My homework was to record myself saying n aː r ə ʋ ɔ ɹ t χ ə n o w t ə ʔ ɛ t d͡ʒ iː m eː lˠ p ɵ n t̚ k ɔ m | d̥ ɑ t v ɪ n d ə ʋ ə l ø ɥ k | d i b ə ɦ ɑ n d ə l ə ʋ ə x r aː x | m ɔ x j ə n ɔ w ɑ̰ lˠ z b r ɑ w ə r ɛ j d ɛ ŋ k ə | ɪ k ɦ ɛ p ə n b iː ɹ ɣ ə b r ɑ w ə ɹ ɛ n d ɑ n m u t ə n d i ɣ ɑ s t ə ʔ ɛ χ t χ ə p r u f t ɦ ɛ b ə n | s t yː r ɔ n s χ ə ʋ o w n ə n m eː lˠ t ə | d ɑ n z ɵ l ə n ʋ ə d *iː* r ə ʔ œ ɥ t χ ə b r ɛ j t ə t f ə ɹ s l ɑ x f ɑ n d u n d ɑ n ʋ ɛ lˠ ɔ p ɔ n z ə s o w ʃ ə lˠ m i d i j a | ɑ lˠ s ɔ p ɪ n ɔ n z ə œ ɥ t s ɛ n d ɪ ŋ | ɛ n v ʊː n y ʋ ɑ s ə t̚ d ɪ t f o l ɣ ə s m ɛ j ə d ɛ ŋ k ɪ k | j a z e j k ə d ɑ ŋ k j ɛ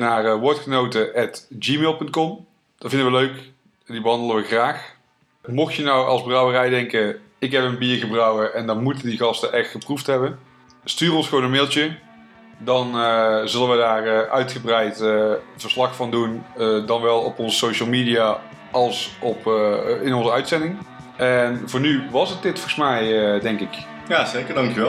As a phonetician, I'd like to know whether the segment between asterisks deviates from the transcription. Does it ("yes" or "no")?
yes